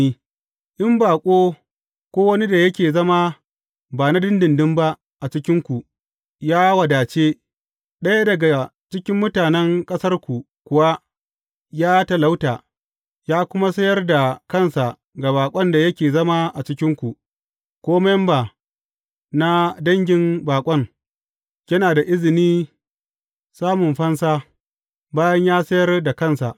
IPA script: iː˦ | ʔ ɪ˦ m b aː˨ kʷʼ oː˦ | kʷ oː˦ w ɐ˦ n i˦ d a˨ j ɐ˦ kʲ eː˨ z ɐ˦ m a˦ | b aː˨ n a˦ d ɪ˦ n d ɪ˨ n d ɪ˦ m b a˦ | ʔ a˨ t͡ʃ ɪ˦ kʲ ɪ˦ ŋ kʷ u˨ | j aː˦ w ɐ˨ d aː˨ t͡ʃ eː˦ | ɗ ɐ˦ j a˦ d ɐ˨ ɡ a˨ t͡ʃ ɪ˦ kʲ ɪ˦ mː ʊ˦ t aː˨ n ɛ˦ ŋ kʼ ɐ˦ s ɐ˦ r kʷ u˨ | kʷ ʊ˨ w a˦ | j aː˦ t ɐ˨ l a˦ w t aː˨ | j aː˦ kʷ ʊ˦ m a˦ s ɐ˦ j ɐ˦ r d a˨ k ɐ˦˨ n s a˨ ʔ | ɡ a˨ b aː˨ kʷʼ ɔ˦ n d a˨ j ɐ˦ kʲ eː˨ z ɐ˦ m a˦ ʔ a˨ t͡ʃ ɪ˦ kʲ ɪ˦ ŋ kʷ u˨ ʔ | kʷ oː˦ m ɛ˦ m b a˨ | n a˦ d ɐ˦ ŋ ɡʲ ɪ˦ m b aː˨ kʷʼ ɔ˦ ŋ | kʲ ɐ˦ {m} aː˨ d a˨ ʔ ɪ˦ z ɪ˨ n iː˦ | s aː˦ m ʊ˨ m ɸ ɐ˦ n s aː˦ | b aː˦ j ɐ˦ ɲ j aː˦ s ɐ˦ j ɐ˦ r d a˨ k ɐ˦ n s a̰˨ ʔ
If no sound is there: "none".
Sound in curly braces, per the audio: n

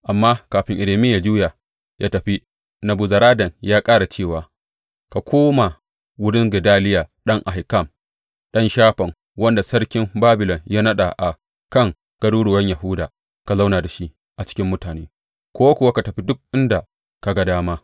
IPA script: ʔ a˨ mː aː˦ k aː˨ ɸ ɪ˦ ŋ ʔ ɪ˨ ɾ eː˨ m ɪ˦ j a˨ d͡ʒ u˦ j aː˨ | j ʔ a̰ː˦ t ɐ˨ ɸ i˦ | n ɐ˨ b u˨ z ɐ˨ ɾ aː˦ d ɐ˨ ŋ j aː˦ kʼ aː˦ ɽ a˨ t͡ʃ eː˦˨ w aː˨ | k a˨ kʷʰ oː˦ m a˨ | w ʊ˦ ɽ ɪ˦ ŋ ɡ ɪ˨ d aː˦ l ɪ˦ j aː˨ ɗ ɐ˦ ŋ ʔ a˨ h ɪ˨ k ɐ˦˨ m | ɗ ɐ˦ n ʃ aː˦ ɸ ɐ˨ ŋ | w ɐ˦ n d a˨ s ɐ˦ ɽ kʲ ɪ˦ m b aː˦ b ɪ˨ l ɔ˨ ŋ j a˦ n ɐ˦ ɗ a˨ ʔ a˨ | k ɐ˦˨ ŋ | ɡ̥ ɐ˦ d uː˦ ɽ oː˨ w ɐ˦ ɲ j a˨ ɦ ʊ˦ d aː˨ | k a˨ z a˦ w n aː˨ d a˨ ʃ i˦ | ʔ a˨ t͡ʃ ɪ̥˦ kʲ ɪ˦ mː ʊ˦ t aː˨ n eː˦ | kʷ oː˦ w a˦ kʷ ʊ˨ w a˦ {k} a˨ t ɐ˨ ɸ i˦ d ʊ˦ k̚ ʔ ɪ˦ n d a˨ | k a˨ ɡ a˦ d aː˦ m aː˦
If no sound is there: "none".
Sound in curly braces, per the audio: k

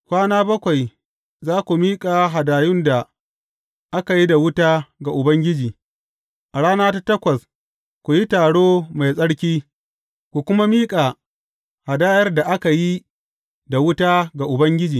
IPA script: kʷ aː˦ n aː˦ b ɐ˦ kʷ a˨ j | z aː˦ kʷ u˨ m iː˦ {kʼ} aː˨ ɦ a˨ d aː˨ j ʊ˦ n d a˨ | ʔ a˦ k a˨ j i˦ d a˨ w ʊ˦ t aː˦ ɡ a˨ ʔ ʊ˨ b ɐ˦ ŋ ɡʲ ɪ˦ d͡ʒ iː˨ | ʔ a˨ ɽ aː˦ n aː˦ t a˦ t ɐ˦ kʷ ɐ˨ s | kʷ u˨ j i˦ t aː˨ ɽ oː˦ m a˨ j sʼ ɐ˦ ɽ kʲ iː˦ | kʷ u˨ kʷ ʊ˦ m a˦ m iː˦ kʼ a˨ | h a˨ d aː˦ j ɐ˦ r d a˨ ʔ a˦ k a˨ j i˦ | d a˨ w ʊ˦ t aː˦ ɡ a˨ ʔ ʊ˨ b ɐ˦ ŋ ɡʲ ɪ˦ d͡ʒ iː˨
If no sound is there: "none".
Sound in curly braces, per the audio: kʼ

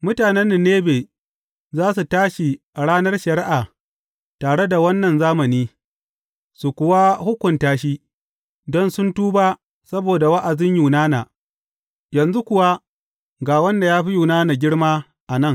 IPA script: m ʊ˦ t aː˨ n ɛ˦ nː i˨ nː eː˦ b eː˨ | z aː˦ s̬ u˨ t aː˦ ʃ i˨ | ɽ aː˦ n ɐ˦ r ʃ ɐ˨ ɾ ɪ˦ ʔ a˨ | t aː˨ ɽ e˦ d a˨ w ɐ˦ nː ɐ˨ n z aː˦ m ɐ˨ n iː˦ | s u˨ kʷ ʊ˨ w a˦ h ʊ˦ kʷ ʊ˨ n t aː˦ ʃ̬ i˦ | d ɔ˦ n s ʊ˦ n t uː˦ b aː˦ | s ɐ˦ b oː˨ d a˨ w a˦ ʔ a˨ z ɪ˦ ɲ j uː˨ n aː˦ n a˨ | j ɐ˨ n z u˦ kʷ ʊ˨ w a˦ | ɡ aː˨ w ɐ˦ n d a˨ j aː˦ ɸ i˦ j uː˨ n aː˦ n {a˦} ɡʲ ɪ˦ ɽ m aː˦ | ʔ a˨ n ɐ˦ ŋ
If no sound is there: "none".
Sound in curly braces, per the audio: a˨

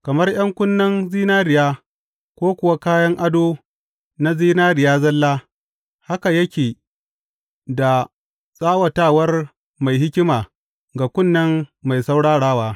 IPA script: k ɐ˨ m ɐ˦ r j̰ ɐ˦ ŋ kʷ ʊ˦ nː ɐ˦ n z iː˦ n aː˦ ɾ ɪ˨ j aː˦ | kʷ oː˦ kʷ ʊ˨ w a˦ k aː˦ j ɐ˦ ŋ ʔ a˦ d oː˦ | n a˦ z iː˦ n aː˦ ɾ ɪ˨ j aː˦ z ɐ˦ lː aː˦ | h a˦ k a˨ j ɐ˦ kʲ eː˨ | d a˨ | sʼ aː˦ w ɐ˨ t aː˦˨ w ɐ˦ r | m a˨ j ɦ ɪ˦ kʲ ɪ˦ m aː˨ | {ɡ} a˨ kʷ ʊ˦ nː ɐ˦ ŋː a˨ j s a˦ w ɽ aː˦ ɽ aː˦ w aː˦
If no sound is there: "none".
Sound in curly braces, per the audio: ɡ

